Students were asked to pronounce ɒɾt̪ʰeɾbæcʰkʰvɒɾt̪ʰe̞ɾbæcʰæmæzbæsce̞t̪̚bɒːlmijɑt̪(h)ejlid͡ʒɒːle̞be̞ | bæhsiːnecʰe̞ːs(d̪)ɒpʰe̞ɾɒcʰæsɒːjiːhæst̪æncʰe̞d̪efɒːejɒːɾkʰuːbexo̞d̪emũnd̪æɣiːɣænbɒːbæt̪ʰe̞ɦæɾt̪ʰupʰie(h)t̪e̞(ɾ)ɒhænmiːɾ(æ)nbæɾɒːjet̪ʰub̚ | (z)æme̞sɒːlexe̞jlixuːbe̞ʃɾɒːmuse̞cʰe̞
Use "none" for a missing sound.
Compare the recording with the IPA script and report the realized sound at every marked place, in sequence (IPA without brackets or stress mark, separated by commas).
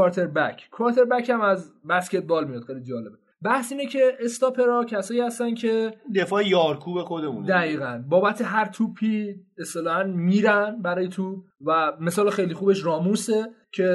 x, t̪, s, l, æ, v